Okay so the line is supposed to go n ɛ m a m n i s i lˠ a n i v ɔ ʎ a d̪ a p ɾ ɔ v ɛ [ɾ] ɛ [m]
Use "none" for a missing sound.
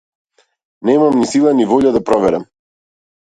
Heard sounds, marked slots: ɾ, m

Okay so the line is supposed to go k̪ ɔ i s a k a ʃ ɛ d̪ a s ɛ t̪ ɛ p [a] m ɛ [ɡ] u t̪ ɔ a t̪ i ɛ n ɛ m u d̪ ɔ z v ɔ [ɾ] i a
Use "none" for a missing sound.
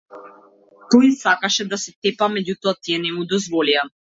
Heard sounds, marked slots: a, ɟ, l

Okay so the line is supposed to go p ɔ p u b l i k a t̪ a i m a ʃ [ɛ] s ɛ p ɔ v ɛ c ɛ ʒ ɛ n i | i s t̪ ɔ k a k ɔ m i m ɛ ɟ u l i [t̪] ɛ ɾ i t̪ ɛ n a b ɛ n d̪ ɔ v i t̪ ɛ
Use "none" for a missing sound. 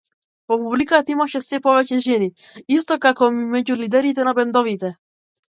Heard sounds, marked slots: ɛ, d̪

